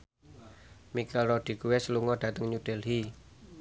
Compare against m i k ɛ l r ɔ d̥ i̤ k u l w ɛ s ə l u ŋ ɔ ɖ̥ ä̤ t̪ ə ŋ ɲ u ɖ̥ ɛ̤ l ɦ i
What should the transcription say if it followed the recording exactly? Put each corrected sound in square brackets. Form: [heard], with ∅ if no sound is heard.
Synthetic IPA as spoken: m i k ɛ l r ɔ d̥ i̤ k u [∅] w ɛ s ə l u ŋ ɔ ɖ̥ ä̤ t̪ ə ŋ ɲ u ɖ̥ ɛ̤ l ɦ i

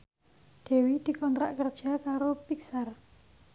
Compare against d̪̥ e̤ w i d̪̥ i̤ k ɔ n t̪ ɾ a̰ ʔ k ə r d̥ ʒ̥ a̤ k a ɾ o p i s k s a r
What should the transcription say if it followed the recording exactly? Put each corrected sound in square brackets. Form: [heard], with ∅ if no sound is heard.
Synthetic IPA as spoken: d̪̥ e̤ w i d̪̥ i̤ k ɔ n t̪ ɾ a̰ ʔ k ə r d̥ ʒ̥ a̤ k a ɾ o p i [∅] k s a r

